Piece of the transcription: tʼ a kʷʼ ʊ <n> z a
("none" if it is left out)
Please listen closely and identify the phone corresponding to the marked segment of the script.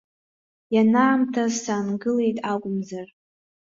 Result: m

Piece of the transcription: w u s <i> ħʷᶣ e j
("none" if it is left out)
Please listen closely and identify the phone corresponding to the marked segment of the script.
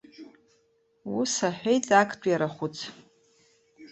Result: a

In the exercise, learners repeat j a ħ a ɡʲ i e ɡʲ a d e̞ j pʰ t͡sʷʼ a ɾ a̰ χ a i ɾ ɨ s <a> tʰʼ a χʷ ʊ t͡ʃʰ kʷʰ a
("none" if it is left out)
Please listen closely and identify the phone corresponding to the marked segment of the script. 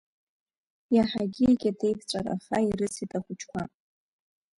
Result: i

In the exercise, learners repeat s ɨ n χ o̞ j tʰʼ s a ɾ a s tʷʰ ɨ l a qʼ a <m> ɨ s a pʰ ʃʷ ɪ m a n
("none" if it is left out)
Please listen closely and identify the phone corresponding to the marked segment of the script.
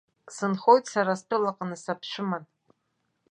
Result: n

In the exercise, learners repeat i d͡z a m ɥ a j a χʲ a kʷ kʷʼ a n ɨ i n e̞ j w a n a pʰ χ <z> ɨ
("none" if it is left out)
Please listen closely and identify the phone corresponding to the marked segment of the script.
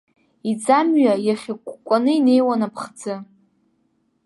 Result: d͡z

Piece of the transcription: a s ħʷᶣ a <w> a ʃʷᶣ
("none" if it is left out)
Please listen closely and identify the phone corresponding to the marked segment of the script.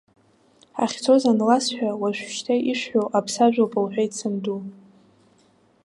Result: w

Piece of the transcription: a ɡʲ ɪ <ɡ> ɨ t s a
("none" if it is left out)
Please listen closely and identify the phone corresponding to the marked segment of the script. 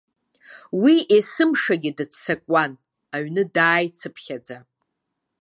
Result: d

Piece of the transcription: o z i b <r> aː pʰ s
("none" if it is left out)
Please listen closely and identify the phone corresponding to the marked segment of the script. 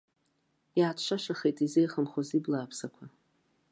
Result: l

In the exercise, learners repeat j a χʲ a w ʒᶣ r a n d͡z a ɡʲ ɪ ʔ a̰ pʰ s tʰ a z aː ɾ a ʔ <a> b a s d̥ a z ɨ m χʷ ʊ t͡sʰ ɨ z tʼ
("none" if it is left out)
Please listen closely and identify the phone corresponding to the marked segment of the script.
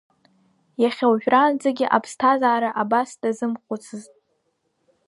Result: a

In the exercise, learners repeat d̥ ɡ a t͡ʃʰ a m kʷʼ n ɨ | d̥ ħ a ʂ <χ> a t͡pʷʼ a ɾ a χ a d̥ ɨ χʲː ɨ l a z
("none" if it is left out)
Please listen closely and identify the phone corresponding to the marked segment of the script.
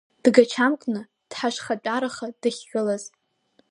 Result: χ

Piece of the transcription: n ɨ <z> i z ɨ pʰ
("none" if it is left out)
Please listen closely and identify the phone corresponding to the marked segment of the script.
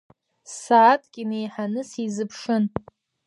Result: s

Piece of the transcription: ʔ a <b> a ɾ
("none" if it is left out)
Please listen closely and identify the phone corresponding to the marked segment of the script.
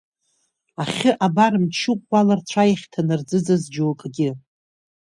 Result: b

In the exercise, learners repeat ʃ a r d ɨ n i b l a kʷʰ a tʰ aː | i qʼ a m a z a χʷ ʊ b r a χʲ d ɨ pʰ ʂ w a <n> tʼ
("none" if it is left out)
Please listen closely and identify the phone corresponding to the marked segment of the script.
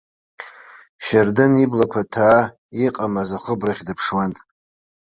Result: n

